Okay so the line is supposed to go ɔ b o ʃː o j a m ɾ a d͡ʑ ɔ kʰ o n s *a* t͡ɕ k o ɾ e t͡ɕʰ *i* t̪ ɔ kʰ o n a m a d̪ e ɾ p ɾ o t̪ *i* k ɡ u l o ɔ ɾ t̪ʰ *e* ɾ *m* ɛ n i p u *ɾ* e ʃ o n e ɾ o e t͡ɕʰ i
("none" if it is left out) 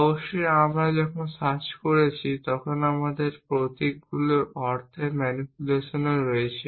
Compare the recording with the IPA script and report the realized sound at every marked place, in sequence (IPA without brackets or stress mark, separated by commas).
a, i, i, e, m, l